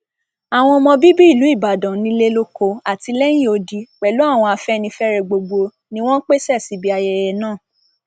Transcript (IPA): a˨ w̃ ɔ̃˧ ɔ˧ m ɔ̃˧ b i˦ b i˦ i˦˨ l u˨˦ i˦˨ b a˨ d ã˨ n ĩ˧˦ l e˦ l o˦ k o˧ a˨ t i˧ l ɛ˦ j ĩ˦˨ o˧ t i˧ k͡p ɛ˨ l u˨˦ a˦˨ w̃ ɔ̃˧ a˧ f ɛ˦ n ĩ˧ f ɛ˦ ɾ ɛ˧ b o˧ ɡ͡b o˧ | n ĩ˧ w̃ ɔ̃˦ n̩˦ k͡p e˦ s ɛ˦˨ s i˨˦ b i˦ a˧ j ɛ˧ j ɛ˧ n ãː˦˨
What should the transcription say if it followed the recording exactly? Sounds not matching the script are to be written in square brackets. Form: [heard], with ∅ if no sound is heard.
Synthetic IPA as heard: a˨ w̃ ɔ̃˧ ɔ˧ m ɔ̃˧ b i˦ b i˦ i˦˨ l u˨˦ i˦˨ b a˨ d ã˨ n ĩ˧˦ l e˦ l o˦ k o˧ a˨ t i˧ l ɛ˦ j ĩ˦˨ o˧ [d] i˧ k͡p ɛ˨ l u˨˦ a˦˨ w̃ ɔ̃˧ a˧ f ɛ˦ n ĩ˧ f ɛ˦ ɾ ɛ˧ [ɡ͡b] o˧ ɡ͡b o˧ | n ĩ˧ w̃ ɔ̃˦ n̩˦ k͡p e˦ s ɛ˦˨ s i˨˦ b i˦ a˧ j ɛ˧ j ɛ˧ n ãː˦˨